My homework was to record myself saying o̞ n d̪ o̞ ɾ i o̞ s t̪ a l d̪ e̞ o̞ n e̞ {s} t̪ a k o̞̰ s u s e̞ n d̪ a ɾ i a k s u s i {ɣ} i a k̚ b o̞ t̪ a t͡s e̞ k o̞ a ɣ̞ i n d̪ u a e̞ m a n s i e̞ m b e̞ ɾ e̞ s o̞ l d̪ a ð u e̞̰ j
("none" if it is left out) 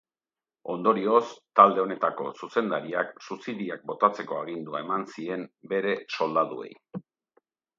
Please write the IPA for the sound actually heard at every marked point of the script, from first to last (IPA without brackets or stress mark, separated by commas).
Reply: none, ð